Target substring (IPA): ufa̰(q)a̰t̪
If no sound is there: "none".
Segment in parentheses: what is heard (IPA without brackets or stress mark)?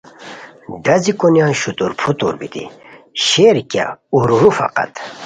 q